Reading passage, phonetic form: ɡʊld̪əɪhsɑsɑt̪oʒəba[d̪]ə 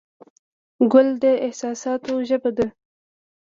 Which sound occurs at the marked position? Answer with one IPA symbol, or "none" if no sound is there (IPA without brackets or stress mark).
d̪